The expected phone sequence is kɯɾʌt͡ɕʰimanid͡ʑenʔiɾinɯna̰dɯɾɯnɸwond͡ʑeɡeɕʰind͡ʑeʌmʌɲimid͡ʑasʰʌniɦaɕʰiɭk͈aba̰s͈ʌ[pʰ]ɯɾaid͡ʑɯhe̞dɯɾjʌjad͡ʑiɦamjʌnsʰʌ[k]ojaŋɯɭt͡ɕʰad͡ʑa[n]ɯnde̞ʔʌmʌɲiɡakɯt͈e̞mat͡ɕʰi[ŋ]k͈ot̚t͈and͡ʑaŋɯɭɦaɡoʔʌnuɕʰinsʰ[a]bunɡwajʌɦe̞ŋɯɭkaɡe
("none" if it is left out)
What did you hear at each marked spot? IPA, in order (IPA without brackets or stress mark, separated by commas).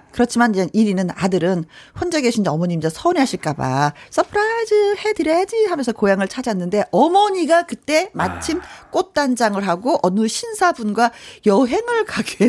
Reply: pʰ, k, nː, m, a